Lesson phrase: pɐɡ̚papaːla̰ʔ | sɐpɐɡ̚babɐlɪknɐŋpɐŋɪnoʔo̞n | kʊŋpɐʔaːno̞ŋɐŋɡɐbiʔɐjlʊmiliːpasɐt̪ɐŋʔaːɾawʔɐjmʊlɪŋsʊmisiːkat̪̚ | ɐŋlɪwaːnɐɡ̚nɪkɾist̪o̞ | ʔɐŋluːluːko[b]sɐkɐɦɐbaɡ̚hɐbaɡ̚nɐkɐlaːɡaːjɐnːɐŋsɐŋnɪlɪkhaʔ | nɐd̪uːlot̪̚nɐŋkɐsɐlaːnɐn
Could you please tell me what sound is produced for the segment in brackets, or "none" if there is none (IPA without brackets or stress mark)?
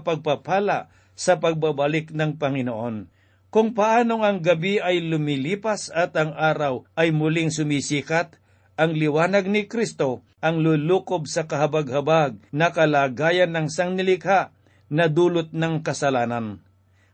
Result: b